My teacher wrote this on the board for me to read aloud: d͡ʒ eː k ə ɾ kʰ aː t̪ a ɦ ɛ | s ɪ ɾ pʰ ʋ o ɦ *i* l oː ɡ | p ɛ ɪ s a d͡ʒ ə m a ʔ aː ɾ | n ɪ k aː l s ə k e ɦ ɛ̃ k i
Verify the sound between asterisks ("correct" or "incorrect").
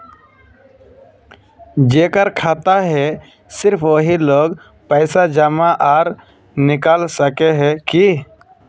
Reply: correct